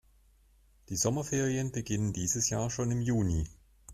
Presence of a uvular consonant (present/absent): present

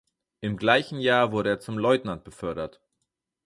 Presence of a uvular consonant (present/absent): absent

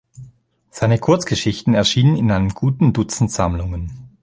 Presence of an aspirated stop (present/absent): present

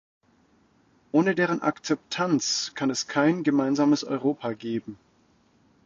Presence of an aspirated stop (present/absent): present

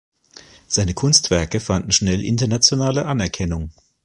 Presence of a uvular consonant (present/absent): absent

